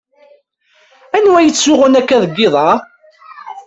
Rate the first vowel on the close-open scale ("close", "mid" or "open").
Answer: open